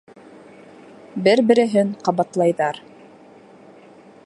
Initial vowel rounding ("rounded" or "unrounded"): unrounded